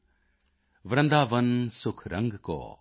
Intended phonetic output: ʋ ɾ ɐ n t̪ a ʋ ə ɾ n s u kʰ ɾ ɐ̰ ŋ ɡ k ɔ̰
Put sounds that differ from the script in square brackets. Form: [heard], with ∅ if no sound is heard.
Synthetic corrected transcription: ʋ ɾ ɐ n [d̪] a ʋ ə [∅] n s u kʰ ɾ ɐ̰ ŋ ɡ k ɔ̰